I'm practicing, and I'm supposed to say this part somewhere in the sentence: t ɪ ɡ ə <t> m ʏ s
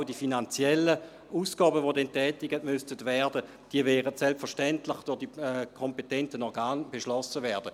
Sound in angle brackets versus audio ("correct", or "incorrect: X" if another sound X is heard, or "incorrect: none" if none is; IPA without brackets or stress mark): correct